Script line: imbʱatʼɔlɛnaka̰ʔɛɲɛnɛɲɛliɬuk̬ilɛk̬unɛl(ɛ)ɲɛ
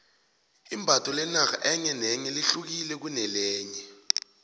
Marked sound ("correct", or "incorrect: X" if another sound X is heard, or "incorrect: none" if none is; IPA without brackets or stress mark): incorrect: ɛː